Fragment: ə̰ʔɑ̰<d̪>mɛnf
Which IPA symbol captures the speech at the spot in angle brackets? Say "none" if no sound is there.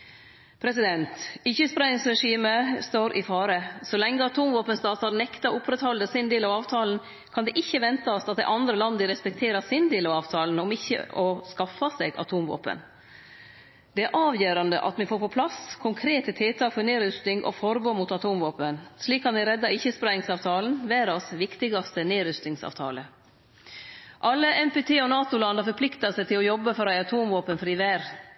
t̪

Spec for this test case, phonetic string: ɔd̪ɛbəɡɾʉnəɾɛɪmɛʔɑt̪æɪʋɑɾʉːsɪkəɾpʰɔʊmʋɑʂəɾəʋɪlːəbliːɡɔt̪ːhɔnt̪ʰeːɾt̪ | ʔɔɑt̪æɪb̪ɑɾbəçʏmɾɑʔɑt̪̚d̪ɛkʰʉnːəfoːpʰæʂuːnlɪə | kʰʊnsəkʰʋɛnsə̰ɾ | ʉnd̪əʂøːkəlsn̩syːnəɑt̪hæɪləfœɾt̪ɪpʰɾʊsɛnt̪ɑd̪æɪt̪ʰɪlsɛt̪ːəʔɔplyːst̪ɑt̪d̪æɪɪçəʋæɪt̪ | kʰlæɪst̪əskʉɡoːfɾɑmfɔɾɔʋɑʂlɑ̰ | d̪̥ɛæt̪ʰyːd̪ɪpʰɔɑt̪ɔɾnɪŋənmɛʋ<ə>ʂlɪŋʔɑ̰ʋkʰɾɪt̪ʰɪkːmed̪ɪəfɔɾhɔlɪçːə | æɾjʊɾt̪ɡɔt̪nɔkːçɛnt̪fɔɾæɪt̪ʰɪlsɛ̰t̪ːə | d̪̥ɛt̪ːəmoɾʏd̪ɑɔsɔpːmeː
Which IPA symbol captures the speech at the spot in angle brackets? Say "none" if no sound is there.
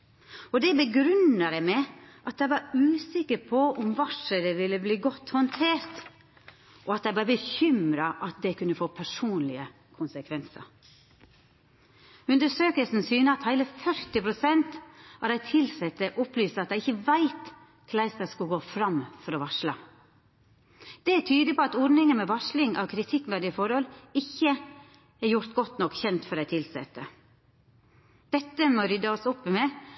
ɑ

